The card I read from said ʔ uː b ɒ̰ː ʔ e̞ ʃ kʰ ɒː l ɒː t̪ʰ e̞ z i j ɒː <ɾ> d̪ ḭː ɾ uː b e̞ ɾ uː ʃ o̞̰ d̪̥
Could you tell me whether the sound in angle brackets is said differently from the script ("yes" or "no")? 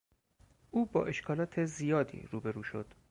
yes